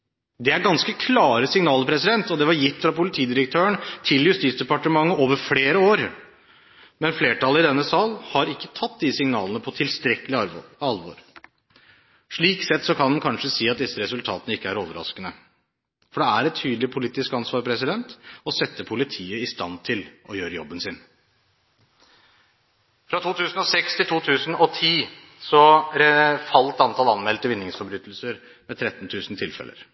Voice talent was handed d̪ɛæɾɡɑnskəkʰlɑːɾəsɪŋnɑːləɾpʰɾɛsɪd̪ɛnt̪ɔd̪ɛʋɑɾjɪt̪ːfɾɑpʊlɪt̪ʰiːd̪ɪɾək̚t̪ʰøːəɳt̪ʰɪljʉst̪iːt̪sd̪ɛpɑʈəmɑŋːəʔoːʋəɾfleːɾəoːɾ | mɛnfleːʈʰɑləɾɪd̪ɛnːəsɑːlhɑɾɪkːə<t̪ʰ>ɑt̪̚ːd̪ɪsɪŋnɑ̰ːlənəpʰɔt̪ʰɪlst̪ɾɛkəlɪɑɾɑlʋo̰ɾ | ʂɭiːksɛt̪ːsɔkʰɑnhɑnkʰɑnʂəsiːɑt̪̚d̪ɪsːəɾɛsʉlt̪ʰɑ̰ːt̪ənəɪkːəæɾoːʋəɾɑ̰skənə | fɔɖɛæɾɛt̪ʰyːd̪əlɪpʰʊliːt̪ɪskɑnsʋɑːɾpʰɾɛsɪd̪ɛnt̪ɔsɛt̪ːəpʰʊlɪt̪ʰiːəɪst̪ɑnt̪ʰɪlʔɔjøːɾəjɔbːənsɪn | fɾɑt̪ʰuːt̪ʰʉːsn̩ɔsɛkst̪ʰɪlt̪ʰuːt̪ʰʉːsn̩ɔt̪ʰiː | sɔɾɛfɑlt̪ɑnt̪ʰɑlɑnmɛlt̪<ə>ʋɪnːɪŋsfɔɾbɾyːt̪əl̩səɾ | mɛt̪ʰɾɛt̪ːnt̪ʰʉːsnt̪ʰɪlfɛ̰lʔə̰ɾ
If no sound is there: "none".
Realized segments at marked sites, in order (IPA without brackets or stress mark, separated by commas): t̪ʰ, ə